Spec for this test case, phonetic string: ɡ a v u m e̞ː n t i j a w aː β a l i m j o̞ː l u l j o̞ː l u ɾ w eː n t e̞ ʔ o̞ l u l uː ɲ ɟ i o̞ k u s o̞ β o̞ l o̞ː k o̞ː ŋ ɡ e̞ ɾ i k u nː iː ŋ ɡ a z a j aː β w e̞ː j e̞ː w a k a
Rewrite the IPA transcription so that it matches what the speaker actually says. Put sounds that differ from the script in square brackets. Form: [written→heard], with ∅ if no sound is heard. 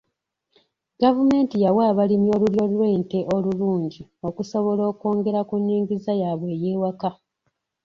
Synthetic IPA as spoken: ɡ a v u m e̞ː n t i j a w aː β a l i m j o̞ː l u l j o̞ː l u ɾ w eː n t e̞ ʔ o̞ l u l uː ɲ ɟ i o̞ k u s o̞ β o̞ l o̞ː k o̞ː ŋ ɡ e̞ ɾ [i→a] k u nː iː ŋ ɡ [a→i] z a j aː β w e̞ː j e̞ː w a k a